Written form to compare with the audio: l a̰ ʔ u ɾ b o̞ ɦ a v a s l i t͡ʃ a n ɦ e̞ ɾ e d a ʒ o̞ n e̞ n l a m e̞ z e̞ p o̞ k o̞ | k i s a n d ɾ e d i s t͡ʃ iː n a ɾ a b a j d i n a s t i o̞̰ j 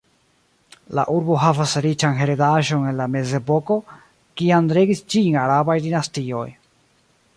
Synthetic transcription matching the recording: l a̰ ʔ u ɾ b o̞ ɦ a v a s ɾ i t͡ʃ a n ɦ e̞ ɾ e d a ʒ o̞ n e̞ n l a m e̞ z e̞ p o̞ k o̞ | k i a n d ɾ e ɡ i s t͡ʃ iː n a ɾ a b a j d i n a s t i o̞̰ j